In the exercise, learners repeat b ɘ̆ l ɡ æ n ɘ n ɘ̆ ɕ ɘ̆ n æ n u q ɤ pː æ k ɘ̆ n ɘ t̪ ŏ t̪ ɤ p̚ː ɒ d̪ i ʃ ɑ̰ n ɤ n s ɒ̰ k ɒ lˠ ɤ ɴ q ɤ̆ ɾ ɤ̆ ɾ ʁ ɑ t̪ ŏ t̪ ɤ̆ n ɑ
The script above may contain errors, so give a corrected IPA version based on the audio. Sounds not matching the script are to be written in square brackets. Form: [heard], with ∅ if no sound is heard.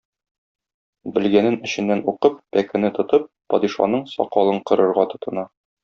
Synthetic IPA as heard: b ɘ̆ l ɡ æ n ɘ n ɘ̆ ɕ ɘ̆ [nː] æ n u q ɤ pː æ k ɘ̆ n ɘ t̪ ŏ t̪ ɤ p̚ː ɒ d̪ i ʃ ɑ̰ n ɤ [ɴ] s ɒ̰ [q] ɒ lˠ ɤ ɴ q ɤ̆ ɾ ɤ̆ ɾ ʁ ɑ t̪ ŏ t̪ ɤ̆ n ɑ